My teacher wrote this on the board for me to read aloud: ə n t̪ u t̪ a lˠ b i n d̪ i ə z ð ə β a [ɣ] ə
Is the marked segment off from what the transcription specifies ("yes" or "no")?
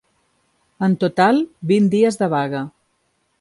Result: no